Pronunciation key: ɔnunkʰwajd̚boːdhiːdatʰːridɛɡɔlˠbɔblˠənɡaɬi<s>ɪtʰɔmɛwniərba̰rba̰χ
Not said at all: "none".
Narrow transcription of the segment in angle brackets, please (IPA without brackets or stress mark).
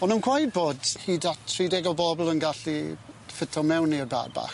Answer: f